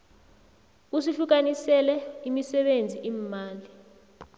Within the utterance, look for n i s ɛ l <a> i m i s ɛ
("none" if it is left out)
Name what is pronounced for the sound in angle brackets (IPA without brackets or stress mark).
ɛ